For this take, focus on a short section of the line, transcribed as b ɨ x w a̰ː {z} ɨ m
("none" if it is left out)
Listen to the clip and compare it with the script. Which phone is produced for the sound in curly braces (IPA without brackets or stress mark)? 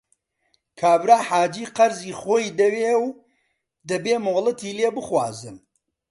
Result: z